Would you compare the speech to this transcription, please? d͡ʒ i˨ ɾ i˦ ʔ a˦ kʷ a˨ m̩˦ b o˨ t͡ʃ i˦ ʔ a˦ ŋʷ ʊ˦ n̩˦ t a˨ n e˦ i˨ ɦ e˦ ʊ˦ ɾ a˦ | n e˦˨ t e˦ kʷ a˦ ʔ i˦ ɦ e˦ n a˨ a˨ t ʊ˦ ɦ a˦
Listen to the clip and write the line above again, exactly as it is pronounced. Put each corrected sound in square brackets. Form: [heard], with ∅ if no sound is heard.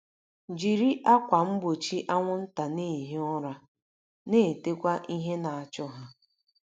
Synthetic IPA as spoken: d͡ʒ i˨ ɾ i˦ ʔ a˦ kʷ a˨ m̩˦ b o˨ t͡ʃ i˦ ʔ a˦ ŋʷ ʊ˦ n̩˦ t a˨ n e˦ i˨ ɦ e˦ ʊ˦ ɾ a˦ | n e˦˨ t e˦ kʷ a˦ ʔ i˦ ɦ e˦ n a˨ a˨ [t͡ʃ] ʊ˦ ɦ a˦